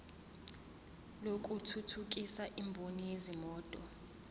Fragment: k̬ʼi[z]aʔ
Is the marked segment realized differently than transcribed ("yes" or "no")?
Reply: yes